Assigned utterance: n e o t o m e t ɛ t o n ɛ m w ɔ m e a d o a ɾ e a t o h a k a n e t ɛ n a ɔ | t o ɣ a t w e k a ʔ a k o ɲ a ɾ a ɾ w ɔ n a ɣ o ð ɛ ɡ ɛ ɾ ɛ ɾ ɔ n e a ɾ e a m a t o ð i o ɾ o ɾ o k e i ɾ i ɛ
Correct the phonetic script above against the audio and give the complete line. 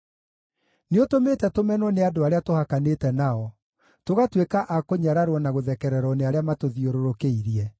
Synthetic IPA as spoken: n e o t o m e t ɛ t o m ɛ n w ɔ n e a d o a ɾ e a t o h a k a n e t ɛ n a ɔ | t o ɣ a t w e k a ʔ a k o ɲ a ɾ a ɾ w ɔ n a ɣ o ð ɛ k ɛ ɾ ɛ ɾ ɔ n e a ɾ e a m a t o ð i o ɾ o ɾ o k e i ɾ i ɛ